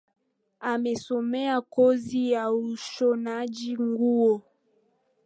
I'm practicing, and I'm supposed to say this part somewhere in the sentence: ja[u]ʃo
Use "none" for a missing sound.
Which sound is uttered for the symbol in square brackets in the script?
u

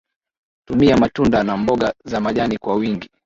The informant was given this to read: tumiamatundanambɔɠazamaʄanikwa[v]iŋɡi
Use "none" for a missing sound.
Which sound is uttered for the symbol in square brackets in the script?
w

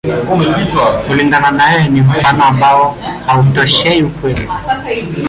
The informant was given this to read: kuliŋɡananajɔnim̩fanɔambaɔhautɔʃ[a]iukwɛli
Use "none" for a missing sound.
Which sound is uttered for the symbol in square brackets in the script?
ɛ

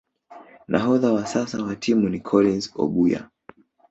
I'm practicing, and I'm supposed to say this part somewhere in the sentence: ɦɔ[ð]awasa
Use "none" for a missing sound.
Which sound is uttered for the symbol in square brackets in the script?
ð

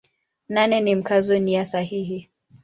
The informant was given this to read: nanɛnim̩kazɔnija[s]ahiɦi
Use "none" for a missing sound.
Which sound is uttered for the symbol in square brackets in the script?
s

